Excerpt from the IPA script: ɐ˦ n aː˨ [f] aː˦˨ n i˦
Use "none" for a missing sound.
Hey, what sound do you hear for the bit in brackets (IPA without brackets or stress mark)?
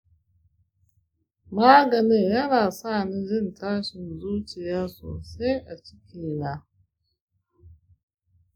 s